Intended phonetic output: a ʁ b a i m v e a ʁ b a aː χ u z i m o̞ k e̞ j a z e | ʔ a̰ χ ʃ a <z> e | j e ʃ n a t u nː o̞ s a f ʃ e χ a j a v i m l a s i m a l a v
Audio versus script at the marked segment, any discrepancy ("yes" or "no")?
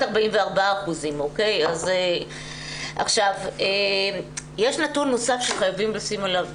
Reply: yes